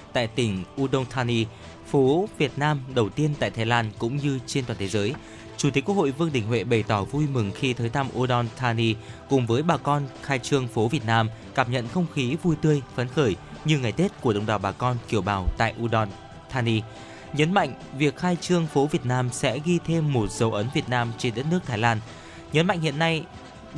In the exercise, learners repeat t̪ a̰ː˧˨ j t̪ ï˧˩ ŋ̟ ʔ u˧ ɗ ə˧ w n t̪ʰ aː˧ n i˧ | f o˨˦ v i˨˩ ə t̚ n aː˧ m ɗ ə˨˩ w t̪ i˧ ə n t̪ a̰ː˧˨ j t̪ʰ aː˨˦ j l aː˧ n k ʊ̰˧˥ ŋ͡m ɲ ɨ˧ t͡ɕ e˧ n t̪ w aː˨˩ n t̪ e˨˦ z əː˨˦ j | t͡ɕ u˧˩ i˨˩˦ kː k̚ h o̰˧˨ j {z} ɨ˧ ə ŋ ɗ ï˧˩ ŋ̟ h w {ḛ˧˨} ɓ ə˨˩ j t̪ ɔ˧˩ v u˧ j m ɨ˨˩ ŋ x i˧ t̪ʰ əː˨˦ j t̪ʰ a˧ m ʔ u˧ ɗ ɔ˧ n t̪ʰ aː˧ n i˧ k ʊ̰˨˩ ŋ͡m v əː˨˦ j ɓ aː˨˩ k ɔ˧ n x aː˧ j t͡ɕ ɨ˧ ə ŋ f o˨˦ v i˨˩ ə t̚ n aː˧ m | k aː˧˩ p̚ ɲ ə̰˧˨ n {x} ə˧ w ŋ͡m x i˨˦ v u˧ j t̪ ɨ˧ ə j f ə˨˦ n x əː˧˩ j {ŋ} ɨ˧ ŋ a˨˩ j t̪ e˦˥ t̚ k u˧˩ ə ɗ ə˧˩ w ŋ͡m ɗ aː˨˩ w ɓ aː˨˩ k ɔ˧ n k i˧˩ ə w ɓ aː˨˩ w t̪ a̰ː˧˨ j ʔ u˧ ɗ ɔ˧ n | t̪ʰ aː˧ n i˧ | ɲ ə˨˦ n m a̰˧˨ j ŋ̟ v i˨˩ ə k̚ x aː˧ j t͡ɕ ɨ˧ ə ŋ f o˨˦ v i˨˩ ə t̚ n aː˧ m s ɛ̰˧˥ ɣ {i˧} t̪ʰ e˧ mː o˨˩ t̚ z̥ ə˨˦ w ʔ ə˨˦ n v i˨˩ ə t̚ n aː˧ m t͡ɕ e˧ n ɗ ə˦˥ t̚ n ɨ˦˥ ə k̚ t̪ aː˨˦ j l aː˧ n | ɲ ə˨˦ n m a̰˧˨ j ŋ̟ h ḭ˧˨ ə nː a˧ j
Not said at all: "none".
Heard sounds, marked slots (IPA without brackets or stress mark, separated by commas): v, ḛ˧˨, x, ɲ, i˧